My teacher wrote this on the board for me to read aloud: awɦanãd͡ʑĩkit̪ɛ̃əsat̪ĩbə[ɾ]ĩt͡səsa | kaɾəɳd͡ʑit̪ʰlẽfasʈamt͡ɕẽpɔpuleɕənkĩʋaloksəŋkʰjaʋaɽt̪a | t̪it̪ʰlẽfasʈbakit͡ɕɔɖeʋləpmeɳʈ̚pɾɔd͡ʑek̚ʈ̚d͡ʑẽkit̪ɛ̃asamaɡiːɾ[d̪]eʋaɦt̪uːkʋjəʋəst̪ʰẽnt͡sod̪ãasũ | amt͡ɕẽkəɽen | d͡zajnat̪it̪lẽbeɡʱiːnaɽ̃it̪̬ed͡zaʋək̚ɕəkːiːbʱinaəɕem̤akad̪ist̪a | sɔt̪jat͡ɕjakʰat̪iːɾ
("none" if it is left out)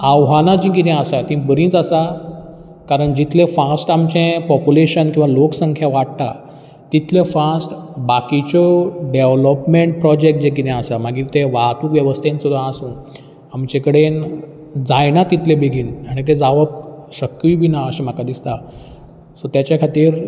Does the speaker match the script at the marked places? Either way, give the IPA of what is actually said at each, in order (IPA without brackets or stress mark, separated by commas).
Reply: ɾ, t̪